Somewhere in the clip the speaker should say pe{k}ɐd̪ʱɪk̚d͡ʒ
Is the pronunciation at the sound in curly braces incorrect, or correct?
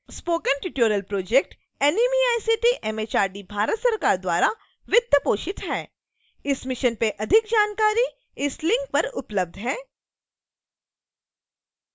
incorrect